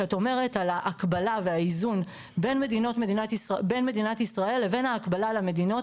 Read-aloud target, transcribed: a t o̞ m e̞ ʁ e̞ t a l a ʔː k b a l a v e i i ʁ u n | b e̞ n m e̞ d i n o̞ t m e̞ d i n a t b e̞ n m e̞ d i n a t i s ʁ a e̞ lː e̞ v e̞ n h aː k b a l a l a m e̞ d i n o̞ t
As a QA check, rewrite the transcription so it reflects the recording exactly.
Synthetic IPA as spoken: a t o̞ m e̞ ʁ e̞ t a l a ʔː k b a l a v e a i z u n | b e̞ n m e̞ d i n o̞ t m e̞ d i n a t b e̞ n m e̞ d i n a t i s ʁ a e̞ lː e̞ v e̞ n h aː k b a l a l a m e̞ d i n o̞ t